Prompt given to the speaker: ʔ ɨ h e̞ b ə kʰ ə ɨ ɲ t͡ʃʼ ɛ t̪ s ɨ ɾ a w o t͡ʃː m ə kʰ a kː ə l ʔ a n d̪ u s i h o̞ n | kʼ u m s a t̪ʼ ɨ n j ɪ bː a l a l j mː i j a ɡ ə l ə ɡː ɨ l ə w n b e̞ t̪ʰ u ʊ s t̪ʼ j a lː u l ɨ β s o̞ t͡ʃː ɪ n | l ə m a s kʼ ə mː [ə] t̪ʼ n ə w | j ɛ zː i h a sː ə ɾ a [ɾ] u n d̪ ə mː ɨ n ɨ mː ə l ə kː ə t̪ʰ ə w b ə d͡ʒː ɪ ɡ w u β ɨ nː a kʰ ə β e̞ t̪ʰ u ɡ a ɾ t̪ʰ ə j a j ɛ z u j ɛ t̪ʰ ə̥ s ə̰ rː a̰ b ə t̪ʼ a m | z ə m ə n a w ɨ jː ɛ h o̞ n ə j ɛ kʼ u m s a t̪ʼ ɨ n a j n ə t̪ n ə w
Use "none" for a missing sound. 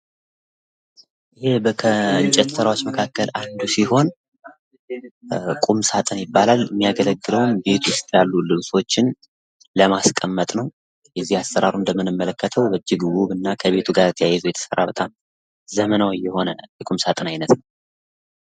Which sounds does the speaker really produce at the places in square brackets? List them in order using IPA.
ə, ɾ

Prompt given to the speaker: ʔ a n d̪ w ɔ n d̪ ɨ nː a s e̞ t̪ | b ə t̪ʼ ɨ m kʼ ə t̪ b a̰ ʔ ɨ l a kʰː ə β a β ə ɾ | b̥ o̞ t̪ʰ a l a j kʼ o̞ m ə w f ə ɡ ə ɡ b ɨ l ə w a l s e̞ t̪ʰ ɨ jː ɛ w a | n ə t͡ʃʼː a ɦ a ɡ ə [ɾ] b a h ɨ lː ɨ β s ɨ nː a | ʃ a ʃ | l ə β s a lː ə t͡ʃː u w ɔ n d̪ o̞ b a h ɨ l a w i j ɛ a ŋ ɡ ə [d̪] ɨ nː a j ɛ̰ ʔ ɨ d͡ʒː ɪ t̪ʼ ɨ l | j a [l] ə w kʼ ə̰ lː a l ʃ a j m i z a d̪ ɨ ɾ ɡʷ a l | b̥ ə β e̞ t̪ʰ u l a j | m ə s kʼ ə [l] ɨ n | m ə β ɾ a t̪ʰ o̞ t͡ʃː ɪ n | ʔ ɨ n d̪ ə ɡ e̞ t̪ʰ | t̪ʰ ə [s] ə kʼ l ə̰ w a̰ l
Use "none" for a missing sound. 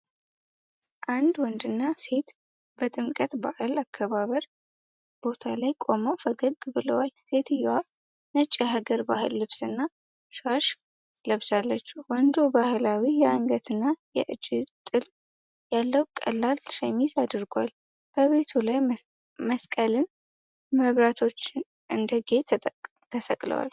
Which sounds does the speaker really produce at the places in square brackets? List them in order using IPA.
ɾ, t̪, lː, l, s

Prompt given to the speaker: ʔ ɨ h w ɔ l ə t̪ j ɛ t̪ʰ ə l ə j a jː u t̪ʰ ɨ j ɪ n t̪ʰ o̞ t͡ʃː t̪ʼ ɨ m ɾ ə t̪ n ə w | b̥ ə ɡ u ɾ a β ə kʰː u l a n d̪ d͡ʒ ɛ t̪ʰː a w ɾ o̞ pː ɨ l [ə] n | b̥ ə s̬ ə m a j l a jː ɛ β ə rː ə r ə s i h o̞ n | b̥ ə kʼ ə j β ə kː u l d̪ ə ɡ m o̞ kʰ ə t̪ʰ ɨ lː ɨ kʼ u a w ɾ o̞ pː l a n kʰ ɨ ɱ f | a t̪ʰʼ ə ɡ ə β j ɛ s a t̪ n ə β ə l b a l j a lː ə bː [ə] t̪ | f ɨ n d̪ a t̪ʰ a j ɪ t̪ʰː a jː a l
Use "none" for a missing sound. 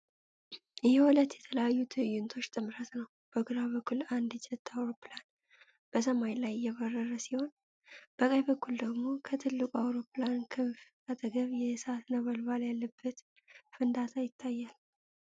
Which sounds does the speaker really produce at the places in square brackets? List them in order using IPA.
a, ə

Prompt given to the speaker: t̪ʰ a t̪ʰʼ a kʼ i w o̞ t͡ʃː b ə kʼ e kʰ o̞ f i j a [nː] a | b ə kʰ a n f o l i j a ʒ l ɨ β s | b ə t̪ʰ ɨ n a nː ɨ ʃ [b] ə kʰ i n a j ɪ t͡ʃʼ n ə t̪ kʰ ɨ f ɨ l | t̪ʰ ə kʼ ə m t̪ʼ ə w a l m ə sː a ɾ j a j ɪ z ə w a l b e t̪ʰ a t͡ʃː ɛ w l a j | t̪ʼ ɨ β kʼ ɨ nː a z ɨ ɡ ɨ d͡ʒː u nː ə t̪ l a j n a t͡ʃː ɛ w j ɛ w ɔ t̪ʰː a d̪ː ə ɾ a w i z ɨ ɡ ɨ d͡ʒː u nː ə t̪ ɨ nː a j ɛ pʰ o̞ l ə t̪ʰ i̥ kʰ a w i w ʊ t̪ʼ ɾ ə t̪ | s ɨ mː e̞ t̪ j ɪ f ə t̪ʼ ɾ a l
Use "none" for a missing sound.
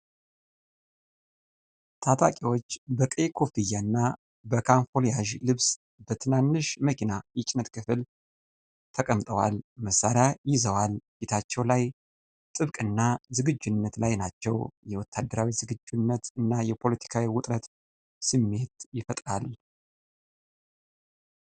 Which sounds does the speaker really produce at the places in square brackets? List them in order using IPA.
nː, m

